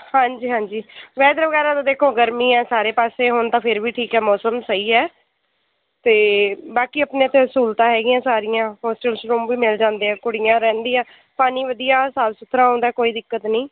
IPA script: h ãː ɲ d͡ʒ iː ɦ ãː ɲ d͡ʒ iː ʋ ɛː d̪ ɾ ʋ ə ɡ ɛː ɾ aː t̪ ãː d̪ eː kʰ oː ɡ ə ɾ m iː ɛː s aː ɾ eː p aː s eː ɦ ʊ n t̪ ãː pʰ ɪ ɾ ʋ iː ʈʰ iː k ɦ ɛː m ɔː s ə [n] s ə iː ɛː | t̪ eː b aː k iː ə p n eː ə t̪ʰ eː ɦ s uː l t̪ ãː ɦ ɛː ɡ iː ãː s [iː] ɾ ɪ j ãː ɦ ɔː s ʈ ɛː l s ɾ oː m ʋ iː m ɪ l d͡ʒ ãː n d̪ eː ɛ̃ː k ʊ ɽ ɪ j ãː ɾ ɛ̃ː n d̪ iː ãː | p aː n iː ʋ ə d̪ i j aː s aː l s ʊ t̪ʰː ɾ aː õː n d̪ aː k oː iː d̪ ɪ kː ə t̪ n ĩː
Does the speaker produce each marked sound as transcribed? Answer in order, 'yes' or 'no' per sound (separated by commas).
no, no